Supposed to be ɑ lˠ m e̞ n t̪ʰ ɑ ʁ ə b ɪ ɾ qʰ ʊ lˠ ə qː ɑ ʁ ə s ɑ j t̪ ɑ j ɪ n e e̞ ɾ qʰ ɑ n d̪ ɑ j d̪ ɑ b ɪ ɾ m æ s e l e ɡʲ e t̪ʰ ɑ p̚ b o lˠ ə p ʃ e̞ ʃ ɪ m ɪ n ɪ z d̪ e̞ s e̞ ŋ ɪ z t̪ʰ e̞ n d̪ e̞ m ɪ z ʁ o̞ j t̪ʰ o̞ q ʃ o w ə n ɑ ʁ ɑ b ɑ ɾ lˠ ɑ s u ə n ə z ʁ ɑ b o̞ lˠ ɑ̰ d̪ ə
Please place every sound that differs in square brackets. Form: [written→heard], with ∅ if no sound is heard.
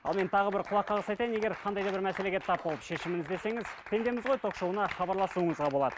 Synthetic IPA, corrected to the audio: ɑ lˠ m e̞ n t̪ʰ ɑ ʁ ə b ɪ ɾ qʰ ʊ lˠ [ə→ɑ] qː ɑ ʁ ə s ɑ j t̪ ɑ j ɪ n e e̞ ɾ qʰ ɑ n d̪ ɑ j d̪ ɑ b ɪ ɾ m æ s e l e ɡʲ e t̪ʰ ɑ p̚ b o lˠ ə p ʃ e̞ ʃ ɪ m ɪ n ɪ z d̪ e̞ s e̞ ŋ ɪ z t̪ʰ e̞ n d̪ e̞ m ɪ z ʁ o̞ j t̪ʰ o̞ q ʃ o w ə n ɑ [ʁ→χ] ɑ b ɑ ɾ lˠ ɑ s u ə [n→ɴ] ə z ʁ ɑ b o̞ lˠ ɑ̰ d̪ ə